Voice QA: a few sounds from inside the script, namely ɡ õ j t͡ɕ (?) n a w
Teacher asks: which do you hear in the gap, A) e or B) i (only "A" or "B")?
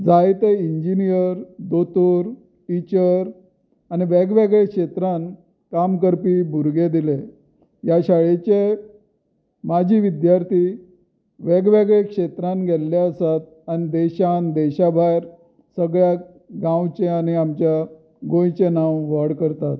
A